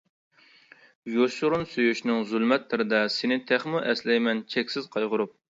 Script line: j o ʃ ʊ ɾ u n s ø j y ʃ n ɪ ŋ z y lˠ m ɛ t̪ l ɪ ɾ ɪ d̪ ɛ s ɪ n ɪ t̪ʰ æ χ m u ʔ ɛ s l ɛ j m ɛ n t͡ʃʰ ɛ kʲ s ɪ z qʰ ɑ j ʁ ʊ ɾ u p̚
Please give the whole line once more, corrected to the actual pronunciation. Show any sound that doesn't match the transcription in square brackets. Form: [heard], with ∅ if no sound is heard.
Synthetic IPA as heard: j o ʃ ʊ ɾ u n s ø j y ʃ n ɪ ŋ z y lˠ m ɛ t̪ l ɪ ɾ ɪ d̪ ɛ s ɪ n ɪ t̪ʰ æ χ m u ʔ ɛ s l ɛ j m ɛ n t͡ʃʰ ɛ kʲ s ɪ z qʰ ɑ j ʁ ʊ ɾ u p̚